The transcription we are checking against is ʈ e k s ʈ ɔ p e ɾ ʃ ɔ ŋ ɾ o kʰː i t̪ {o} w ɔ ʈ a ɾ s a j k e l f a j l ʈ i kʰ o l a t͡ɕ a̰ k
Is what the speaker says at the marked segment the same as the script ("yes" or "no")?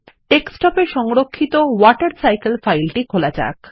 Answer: yes